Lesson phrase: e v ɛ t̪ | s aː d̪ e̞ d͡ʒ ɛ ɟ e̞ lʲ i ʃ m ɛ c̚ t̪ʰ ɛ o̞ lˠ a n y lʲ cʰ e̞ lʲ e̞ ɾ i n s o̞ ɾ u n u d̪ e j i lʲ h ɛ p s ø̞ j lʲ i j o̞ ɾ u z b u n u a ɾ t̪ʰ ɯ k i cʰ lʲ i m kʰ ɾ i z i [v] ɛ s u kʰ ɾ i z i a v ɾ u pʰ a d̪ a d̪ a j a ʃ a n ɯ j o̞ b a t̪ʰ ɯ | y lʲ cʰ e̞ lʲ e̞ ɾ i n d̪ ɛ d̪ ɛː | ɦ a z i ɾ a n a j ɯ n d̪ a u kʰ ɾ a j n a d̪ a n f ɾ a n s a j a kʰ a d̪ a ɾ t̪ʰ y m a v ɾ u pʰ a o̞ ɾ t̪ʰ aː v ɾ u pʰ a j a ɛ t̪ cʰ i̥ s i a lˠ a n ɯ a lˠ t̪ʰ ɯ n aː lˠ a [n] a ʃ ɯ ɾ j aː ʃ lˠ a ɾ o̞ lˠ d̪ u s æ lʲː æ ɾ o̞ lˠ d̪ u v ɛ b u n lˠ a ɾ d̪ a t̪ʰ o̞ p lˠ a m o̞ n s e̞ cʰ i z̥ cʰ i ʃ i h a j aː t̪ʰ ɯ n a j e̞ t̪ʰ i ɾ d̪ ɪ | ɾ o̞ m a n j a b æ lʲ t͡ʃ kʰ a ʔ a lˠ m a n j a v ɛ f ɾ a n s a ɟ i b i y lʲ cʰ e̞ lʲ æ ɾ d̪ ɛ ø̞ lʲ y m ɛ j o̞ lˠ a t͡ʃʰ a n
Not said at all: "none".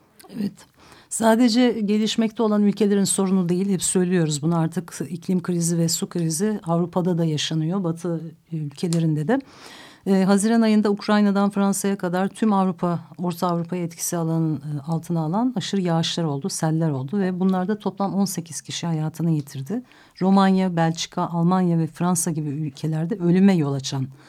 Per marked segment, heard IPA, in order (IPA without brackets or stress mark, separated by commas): v, n